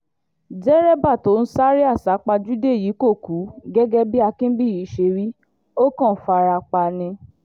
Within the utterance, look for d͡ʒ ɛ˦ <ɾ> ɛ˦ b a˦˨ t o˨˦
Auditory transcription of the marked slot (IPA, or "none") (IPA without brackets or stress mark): ɾ